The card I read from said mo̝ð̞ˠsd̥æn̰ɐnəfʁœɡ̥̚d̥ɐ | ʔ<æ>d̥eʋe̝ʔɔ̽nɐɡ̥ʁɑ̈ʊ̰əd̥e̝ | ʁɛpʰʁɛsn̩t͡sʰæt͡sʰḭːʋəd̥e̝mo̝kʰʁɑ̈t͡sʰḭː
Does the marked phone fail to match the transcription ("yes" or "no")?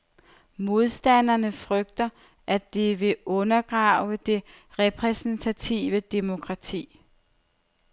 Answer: no